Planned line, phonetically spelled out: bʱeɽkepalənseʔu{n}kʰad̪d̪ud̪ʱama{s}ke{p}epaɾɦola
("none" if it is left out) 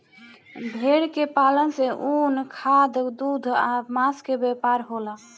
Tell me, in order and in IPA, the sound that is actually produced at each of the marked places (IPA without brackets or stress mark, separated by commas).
n, s, b